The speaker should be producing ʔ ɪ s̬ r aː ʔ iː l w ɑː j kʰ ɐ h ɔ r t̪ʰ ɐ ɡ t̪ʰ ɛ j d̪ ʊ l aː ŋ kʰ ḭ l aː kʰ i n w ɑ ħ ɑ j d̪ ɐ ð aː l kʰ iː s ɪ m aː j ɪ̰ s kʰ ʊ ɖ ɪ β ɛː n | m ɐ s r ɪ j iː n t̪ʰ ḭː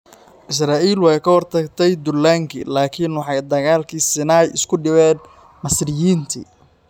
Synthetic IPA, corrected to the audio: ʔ ɪ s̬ r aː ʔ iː l w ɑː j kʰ ɐ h ɔ r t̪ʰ ɐ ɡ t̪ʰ ɛ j d̪ ʊ l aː ŋ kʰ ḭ l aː kʰ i n w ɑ ħ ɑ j d̪ ɐ ɣ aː l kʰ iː s ɪ n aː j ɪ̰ s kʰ ʊ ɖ ɪ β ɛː n | m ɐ s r ɪ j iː n t̪ʰ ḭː